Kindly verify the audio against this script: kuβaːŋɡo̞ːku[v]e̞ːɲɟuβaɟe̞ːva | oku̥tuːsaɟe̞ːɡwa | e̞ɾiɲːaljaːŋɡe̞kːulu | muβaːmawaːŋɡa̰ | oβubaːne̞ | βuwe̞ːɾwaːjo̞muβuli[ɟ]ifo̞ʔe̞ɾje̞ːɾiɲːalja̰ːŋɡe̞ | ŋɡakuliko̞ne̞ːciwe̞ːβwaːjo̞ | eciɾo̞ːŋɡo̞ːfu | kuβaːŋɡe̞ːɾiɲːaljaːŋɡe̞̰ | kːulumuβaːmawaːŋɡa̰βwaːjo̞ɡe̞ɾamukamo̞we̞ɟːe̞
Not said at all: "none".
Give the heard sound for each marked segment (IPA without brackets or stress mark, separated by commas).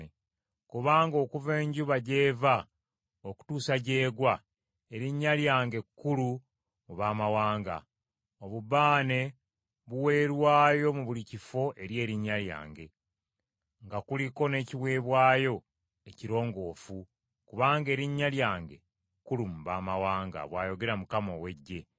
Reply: v, c